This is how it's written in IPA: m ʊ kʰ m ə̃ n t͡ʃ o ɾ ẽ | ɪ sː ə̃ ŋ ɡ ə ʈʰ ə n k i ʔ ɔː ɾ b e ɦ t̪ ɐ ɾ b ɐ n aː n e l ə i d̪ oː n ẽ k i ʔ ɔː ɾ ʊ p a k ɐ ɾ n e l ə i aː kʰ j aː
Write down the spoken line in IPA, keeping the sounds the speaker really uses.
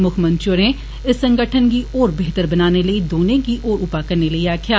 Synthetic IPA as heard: m ʊ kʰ m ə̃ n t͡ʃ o ɾ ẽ | ɪ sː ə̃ ŋ ɡ ə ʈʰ ə n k i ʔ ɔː ɾ b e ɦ t̪ ə ɾ b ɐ n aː n e l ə i d̪ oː n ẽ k i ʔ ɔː ɾ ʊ p a k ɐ ɾ n e l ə i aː kʰ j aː